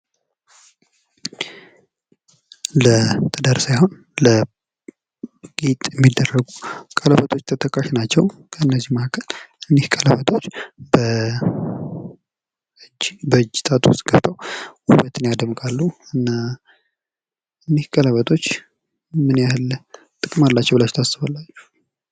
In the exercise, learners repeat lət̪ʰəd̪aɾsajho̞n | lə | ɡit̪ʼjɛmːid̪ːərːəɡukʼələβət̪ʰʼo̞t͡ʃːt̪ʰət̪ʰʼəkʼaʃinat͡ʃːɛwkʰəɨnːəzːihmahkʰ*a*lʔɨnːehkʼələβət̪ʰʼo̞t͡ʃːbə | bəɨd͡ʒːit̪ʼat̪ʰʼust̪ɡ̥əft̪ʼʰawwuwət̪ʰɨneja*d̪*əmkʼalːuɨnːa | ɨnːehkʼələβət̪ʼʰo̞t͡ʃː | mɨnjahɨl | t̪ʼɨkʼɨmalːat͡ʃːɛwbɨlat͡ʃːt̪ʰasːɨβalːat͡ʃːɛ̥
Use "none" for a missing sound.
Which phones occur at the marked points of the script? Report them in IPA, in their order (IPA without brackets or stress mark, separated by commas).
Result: ə, d̪